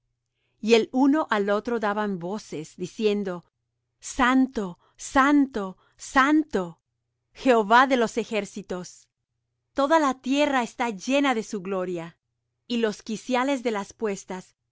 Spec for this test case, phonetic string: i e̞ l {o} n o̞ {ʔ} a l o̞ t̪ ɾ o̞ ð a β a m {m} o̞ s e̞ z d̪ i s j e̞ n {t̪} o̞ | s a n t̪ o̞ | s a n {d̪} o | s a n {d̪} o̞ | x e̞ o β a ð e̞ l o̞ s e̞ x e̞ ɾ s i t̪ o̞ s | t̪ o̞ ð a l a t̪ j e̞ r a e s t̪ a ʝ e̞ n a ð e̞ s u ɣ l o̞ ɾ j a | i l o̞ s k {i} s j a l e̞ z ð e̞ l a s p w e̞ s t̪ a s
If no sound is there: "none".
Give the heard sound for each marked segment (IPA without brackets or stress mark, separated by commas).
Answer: u, ʔ, b, d̪, t̪, t̪, i